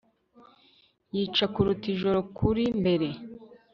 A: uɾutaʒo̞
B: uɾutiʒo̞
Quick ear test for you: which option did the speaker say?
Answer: B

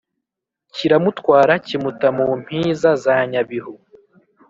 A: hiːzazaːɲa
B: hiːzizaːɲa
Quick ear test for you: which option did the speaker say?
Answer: A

